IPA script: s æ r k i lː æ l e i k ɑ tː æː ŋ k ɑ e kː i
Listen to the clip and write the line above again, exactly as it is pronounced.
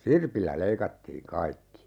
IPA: s i r p i lː æ l e i k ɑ tː iː ŋ k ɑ i kː i